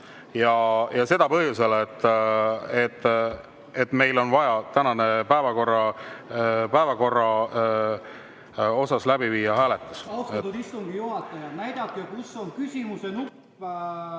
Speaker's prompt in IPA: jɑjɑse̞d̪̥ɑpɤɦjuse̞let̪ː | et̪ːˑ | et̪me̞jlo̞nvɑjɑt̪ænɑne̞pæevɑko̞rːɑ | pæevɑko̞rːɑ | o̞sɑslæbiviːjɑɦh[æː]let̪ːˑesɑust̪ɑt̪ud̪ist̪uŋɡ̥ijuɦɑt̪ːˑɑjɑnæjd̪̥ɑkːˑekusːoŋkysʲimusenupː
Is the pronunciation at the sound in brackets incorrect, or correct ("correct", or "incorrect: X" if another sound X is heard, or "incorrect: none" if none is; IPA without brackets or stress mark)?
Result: correct